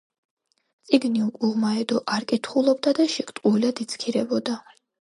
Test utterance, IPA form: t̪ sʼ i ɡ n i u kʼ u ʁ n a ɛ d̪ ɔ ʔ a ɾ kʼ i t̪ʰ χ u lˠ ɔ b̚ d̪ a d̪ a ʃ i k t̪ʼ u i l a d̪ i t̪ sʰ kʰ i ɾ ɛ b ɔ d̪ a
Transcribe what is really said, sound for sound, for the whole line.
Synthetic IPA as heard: t̪ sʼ i ɡ n i u kʼ u ʁ m a ɛ d̪ ɔ ʔ a ɾ kʼ i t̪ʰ χ u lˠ ɔ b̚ d̪ a d̪ a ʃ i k t̪ʼ u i l a d̪ i t̪ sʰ kʰ i ɾ ɛ b ɔ d̪ a